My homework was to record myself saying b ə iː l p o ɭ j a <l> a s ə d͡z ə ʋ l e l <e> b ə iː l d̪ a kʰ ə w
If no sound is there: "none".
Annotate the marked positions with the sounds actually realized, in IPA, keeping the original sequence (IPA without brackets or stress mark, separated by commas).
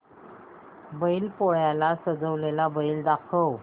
l, a